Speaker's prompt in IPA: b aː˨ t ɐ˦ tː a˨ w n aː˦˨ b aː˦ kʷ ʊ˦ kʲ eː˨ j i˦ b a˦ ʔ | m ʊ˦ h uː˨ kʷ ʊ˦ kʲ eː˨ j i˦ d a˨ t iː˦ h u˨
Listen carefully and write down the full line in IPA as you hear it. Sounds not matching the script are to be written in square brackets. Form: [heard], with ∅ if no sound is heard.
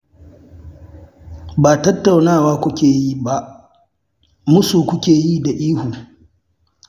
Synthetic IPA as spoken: b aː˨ t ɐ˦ tː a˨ w n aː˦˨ [w] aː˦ kʷ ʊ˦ kʲ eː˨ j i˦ b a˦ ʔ | m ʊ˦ [s] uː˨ kʷ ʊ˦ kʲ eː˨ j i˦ d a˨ [ʔ] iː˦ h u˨

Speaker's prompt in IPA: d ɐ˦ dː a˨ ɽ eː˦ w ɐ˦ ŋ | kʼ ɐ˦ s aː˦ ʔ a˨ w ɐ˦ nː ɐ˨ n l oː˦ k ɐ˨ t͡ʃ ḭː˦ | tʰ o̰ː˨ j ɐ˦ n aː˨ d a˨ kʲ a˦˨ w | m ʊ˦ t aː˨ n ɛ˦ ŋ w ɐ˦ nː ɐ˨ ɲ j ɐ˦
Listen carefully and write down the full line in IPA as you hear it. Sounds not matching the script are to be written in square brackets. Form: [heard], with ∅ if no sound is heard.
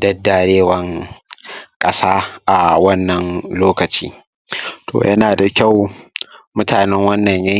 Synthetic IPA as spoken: d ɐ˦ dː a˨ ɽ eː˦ w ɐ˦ ŋ | kʼ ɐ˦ s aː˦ ʔ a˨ w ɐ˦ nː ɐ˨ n l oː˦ k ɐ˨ t͡ʃ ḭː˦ | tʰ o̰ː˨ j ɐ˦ n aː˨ d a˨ kʲ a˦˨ w | m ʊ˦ t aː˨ n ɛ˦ ŋ w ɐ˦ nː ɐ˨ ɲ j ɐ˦

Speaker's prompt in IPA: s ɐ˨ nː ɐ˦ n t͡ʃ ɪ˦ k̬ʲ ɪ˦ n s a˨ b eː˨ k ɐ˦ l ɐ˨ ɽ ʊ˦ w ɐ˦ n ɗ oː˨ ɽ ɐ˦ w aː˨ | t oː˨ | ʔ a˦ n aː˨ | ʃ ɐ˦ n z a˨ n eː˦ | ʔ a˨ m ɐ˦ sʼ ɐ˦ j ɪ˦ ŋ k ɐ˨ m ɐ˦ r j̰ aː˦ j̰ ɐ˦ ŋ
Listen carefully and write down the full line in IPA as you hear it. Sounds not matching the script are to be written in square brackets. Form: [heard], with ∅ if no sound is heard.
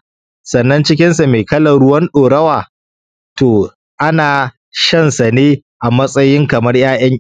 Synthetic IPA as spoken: s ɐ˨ nː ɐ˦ n t͡ʃ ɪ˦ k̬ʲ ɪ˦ n s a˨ [m] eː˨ k ɐ˦ l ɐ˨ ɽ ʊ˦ w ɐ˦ n ɗ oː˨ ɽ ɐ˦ w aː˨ | t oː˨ | ʔ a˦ n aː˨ | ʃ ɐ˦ n [s] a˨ n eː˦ | ʔ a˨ m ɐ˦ sʼ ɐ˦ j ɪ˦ ŋ k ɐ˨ m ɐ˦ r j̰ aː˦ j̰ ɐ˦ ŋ

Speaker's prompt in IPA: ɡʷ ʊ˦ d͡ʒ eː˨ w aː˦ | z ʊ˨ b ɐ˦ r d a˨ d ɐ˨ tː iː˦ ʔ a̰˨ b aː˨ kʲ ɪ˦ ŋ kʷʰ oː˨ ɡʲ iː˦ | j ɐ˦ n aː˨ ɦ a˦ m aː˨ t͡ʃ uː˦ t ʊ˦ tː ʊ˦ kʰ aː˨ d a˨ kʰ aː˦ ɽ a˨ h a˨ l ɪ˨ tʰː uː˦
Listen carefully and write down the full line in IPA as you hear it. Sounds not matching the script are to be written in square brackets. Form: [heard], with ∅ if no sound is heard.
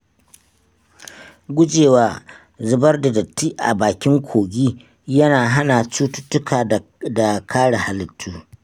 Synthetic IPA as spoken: ɡʷ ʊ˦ d͡ʒ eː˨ w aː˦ | z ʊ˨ b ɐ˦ r d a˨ d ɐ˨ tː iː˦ ʔ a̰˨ b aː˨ kʲ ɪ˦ ŋ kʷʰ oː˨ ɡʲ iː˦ | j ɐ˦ n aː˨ ɦ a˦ [n] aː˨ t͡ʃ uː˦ t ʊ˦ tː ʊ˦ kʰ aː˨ d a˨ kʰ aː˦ ɽ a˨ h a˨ l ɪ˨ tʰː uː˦

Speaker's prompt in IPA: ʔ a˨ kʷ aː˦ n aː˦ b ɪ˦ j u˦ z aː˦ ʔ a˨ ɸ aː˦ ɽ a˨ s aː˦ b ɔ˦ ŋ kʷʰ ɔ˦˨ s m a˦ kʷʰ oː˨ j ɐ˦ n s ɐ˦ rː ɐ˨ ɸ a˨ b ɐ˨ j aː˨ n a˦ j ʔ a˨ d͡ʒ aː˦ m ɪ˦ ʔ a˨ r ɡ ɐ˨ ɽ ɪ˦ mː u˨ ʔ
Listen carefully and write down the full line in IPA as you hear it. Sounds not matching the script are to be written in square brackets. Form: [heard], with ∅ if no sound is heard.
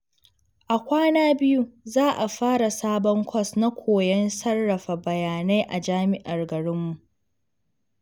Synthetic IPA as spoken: ʔ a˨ kʷ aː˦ n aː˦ b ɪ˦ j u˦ z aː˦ ʔ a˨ ɸ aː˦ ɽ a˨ s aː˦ b ɔ˦ ŋ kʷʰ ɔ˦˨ s [n] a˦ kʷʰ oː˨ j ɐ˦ n s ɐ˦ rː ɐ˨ ɸ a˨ b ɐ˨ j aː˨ n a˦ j ʔ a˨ d͡ʒ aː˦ m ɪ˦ ʔ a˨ r ɡ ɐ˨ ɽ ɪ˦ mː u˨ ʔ

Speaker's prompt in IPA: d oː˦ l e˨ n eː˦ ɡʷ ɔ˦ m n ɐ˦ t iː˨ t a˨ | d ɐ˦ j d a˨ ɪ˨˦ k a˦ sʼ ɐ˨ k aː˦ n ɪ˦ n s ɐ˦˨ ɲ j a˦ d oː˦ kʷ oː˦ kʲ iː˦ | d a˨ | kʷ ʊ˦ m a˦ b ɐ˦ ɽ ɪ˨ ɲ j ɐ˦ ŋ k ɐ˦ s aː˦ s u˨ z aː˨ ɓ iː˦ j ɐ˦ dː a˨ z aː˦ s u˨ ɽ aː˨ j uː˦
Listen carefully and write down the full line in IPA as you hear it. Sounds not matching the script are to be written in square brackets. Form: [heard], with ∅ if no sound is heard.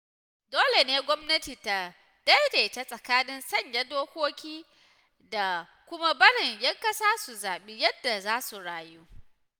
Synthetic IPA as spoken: d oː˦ l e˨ n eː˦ ɡʷ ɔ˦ m n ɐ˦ t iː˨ t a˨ | d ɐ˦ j d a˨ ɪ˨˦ [t] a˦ sʼ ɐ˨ k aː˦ n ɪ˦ n s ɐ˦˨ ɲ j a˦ d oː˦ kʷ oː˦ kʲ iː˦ | d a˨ | kʷ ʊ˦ m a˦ b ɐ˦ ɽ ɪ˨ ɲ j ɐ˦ ŋ k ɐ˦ s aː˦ s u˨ z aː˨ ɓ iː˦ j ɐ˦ dː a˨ z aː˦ s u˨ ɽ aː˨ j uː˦

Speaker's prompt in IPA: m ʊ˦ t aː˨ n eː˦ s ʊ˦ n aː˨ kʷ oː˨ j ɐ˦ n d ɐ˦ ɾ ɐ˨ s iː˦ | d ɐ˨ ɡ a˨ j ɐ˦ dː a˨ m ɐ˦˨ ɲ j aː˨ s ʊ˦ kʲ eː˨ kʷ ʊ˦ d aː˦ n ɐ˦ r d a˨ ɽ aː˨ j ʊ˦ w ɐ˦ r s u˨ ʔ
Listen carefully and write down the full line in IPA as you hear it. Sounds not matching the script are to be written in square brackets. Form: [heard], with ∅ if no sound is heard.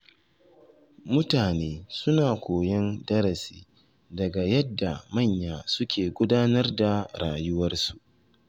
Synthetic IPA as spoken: m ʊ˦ t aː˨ n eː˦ s ʊ˦ n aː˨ kʷ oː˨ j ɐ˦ n d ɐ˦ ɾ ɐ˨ s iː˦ | d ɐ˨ ɡ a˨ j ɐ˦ dː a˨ m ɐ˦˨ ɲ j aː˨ s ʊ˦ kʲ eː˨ [ɡʷ] ʊ˦ d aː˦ n ɐ˦ r d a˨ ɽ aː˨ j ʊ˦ w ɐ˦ r s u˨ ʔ

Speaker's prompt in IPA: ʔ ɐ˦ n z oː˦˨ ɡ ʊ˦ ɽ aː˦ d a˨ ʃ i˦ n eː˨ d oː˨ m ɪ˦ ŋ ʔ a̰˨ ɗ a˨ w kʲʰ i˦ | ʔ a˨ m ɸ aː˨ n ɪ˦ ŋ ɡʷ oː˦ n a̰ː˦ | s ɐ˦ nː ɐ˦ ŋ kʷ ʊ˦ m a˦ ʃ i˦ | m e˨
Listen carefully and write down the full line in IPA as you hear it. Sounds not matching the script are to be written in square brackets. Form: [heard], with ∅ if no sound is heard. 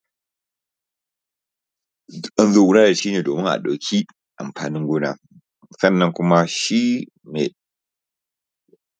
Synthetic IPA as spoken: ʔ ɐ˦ n z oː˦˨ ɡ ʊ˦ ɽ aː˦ d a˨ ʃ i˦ n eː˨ d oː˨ m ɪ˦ ŋ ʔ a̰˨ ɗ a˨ w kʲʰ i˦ | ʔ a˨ m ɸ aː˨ n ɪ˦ ŋ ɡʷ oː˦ n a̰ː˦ | s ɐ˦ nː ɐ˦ ŋ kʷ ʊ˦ m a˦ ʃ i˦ | m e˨

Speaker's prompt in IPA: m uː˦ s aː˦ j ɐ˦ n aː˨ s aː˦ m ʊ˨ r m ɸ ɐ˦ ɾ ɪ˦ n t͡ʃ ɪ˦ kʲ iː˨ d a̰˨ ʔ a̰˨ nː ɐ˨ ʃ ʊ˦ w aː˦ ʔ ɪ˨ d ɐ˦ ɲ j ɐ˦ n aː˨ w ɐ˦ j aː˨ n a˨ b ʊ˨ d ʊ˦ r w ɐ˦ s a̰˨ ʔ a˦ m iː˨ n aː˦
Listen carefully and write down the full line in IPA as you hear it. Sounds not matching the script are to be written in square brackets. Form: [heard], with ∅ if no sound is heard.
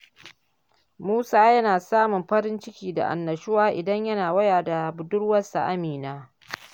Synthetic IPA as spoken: m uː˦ s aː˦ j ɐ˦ n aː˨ s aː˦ m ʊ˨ [∅] m ɸ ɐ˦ ɾ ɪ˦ n t͡ʃ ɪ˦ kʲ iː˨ d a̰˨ ʔ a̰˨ nː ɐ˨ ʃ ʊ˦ w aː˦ ʔ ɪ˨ d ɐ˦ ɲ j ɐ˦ n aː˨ w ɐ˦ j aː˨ [d] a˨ b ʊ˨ d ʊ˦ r w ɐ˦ s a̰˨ ʔ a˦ m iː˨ n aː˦

